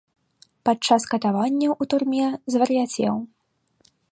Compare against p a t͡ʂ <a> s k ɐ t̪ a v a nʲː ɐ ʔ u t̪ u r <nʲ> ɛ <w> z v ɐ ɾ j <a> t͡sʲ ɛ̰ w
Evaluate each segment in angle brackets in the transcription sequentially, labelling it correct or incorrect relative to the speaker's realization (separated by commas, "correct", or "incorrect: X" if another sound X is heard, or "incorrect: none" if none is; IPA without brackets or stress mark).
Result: correct, incorrect: mʲ, incorrect: none, correct